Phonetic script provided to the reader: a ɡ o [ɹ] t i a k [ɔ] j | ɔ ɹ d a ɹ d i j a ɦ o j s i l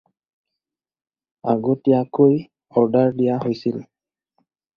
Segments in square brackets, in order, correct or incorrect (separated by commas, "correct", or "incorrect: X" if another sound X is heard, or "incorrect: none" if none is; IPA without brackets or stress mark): incorrect: none, incorrect: o